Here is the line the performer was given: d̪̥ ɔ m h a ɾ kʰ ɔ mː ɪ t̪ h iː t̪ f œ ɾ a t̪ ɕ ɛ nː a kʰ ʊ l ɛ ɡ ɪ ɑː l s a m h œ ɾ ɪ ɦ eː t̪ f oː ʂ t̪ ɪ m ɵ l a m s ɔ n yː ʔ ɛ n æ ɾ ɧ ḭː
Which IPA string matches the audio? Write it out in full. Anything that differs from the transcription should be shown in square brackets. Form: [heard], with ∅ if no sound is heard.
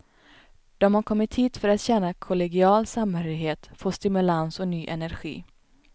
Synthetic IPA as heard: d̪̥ ɔ m h a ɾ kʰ ɔ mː ɪ t̪ h iː t̪ f œ ɾ a t̪ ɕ ɛ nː a kʰ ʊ l ɛ ɡ ɪ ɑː l s a m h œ ɾ ɪ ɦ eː t̪ f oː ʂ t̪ ɪ m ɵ l a [n] s ɔ n yː ʔ ɛ n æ ɾ ɧ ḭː